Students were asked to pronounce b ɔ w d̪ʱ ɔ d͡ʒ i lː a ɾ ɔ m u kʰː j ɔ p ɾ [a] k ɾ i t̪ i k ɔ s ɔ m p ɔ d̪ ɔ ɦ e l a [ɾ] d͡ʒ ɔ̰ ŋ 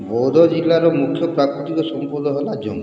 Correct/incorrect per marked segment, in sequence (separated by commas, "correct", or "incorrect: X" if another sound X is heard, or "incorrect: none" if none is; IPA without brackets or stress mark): correct, incorrect: none